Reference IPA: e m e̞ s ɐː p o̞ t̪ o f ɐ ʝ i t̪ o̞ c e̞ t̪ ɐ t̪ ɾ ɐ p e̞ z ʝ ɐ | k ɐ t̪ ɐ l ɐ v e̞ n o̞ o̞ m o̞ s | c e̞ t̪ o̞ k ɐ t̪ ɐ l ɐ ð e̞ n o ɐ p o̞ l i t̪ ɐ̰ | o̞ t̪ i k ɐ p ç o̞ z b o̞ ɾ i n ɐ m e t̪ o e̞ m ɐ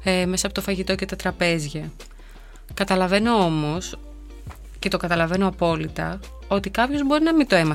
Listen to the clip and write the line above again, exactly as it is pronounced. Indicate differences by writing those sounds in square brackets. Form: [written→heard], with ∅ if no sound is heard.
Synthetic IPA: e m e̞ s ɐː p o̞ t̪ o f ɐ ʝ i t̪ o̞ c e̞ t̪ ɐ t̪ ɾ ɐ p e̞ z ʝ ɐ | k ɐ t̪ ɐ l ɐ v e̞ n o̞ o̞ m o̞ s | c e̞ t̪ o̞ k ɐ t̪ ɐ l ɐ [ð→v] e̞ n o ɐ p o̞ l i t̪ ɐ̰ | o̞ t̪ i k ɐ p ç o̞ z b o̞ ɾ i n ɐ m [e→i] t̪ o e̞ m ɐ